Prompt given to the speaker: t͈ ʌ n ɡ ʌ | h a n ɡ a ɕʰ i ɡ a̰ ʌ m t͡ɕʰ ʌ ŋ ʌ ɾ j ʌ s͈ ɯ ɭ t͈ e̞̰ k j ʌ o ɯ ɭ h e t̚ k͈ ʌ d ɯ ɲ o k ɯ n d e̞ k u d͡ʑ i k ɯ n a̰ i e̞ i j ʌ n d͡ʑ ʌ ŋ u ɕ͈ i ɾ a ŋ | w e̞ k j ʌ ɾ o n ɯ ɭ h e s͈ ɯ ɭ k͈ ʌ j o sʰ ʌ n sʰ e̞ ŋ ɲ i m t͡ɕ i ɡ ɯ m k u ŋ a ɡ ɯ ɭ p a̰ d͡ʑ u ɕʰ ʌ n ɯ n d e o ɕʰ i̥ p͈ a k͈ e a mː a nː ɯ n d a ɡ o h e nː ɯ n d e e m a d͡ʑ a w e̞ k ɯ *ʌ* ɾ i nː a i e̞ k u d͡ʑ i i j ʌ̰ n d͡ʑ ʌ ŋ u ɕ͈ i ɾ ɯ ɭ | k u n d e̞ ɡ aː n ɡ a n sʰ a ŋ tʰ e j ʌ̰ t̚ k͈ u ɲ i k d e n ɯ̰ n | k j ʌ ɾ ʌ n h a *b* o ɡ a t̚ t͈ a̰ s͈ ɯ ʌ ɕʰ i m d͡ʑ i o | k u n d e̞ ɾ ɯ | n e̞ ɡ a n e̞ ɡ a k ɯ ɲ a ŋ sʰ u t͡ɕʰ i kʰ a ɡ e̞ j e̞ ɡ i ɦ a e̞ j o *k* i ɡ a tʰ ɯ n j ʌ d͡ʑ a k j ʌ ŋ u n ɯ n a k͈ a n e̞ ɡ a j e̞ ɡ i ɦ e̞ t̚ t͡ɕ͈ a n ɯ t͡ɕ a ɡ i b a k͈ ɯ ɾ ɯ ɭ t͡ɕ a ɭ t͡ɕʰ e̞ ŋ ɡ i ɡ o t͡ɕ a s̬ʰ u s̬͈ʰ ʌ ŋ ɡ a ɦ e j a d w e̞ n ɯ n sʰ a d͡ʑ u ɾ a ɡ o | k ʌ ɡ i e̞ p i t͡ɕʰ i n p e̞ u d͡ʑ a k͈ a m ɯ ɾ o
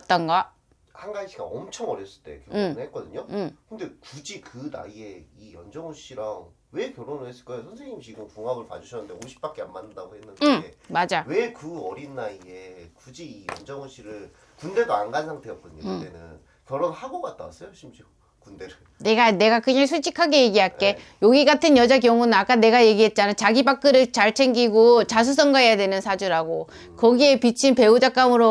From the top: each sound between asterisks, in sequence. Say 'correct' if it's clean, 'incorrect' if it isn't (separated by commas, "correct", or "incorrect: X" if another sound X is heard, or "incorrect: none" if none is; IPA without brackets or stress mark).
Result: correct, incorrect: ɡ, incorrect: ɡ